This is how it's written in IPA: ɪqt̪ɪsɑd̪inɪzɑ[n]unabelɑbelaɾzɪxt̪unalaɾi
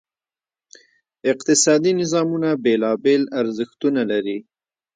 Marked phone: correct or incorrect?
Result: incorrect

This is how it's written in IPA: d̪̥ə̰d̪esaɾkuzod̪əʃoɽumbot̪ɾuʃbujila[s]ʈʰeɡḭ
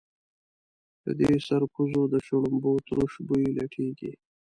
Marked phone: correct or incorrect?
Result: incorrect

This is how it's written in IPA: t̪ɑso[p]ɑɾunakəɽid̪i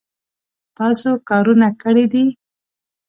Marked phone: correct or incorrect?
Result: incorrect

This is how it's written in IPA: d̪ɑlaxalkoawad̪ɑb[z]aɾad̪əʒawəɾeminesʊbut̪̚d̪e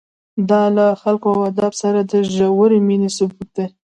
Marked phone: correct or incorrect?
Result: incorrect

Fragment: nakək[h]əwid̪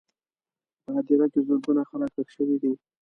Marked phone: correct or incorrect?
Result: incorrect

